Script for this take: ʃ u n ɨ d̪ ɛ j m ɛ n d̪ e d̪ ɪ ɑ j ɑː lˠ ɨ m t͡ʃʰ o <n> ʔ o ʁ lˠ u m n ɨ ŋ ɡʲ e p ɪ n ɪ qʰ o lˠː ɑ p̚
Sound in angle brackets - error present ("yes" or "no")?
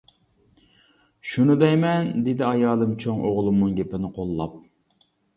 yes